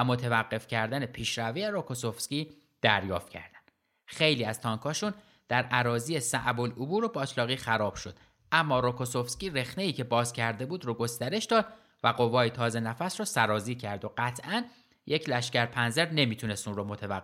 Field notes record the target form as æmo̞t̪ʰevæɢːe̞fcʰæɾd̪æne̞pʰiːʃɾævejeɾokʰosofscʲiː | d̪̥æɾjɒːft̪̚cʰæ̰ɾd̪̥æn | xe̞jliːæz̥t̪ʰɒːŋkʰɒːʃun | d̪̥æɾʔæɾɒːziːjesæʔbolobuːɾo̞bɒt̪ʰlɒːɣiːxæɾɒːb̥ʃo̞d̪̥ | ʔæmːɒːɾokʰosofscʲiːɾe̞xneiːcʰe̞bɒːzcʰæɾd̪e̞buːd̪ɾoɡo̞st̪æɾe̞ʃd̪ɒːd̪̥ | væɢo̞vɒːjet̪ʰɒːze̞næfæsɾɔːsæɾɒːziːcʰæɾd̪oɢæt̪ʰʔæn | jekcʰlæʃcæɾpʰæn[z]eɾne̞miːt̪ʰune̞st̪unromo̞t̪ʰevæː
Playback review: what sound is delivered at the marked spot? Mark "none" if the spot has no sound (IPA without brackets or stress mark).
z